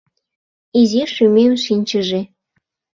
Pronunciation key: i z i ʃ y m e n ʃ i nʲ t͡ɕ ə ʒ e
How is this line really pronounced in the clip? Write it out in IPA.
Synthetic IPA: i z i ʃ y m e m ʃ i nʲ t͡ɕ ə ʒ e

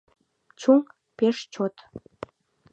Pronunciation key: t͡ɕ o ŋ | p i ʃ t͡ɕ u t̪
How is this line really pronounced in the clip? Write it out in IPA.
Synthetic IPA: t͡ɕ u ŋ | p e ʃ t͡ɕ o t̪

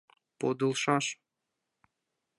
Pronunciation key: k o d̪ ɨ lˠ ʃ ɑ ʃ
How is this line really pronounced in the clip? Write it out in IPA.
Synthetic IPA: p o d̪ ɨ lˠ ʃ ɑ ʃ

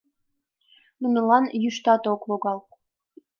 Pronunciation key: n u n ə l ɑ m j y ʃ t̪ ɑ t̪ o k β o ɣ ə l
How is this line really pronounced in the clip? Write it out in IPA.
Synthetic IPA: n u n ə l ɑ n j y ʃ t̪ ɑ t̪ o k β o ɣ ɑ l

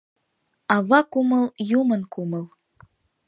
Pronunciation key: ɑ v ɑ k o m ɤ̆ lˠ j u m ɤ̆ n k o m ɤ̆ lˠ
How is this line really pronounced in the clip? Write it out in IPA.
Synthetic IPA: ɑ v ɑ k u m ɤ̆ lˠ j u m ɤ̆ n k u m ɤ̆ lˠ

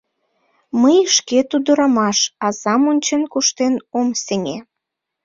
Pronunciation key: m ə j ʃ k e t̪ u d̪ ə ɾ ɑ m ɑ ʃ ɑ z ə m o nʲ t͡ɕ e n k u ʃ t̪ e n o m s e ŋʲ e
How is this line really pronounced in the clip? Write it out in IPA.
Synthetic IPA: m ə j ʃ k e t̪ u d̪ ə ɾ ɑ m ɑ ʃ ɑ z ɑ m o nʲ t͡ɕ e n k u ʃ t̪ e n o m s e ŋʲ e

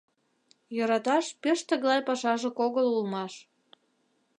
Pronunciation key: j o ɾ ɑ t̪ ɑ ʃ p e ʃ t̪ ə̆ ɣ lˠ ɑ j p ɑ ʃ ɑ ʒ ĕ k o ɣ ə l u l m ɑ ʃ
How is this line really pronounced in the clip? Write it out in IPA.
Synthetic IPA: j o ɾ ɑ t̪ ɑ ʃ p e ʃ t̪ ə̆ ɣ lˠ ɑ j p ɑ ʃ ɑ ʒ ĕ k o ɣ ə l u l m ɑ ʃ

